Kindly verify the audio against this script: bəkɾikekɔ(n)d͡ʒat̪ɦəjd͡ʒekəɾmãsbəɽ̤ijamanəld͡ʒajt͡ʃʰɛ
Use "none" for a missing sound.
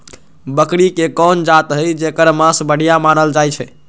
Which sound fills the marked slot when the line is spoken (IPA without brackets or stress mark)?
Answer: n